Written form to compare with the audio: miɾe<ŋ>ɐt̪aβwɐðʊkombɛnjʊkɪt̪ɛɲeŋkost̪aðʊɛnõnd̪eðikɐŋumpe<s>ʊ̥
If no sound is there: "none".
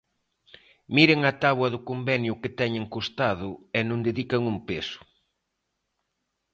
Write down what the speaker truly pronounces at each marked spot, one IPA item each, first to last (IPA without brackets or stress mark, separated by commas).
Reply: ŋ, s